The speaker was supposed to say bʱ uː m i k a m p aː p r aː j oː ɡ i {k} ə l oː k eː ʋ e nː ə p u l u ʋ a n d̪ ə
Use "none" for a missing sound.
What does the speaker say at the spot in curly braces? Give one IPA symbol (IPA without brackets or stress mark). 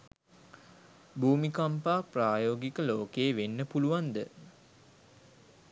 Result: k